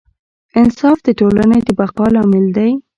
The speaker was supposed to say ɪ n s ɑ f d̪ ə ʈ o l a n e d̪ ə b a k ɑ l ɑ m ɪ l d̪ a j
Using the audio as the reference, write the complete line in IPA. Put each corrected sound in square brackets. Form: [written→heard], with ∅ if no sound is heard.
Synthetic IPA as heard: ɪ n s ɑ f d̪ ə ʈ o l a n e d̪ ə b a [k→q] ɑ l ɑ m ɪ l d̪ a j